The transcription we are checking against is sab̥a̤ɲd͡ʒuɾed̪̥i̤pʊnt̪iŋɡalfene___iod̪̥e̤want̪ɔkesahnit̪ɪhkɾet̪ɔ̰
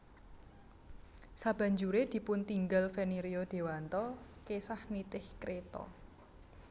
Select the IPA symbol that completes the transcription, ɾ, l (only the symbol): ɾ